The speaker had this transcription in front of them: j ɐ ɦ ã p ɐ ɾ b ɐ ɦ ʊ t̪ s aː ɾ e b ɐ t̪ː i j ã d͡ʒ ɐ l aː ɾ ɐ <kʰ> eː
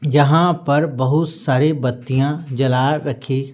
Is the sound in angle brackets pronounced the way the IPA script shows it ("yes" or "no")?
yes